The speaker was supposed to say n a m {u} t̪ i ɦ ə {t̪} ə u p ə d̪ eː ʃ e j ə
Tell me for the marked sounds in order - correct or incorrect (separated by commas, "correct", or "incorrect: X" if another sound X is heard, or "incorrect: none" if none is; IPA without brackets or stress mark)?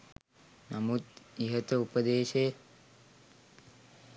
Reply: correct, correct